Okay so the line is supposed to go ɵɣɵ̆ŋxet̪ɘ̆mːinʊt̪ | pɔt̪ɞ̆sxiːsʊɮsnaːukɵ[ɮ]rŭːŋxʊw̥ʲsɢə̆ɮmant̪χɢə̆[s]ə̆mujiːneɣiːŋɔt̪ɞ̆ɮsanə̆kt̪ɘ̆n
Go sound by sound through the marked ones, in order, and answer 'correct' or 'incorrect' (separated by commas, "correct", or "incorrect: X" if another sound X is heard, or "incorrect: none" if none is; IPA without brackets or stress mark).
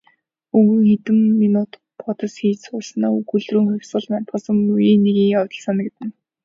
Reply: correct, correct